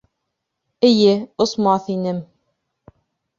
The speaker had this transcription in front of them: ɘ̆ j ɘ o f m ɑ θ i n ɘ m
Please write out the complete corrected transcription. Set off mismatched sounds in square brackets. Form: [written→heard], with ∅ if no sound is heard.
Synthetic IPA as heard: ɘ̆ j ɘ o [f→s] m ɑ θ i n ɘ m